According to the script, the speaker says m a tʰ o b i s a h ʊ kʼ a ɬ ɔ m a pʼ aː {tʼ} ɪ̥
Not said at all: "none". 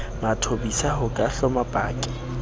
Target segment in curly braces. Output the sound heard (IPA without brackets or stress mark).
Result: kʼ